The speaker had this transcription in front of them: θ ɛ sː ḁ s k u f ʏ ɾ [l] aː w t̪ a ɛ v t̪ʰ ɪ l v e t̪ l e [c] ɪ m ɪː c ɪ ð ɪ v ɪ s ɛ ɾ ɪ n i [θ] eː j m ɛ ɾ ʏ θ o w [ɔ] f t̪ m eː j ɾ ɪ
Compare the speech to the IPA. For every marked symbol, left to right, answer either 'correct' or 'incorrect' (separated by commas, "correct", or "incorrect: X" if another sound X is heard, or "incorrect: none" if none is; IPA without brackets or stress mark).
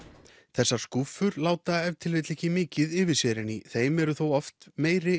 correct, correct, correct, correct